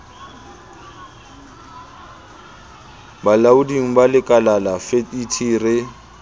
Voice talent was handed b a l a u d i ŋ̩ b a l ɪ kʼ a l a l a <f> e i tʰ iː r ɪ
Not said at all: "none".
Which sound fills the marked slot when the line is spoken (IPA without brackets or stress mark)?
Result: f